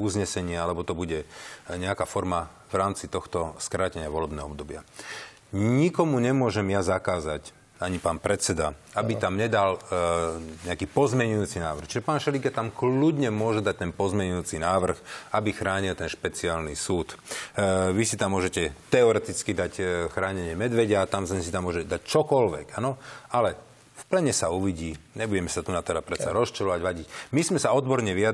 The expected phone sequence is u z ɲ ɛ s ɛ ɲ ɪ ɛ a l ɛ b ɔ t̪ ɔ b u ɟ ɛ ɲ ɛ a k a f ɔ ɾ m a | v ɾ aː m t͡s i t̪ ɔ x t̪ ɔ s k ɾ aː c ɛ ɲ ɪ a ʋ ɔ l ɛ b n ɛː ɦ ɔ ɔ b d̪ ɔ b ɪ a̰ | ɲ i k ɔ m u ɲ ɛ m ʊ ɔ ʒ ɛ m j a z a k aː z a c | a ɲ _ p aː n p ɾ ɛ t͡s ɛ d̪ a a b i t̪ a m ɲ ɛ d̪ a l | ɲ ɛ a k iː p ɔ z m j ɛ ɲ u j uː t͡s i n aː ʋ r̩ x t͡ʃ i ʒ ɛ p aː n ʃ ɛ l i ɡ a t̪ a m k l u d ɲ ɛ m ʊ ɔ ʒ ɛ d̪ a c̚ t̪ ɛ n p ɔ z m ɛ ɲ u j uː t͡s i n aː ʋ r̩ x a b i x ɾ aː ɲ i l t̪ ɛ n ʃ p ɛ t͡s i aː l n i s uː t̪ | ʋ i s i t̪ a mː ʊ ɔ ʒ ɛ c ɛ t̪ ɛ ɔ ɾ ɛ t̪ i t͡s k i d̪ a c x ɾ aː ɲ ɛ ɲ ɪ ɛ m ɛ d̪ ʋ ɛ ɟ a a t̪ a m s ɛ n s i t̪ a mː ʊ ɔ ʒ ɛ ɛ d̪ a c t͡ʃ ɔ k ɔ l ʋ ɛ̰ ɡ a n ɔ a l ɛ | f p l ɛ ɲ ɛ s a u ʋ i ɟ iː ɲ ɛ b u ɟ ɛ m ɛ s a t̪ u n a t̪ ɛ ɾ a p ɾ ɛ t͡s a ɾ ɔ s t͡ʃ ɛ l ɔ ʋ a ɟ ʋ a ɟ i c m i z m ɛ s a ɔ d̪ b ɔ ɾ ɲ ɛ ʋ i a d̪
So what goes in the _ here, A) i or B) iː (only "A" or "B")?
A